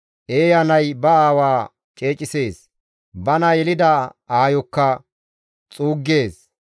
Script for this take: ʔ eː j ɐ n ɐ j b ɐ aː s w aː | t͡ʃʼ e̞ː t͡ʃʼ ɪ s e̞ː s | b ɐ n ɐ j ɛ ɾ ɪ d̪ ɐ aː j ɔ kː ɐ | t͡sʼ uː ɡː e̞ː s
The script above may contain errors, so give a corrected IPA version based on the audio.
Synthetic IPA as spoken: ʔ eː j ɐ n ɐ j b ɐ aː w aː | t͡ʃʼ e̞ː t͡ʃʼ ɪ s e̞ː s | b ɐ n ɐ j ɛ l ɪ d̪ ɐ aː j ɔ kː ɐ | t͡sʼ uː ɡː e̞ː s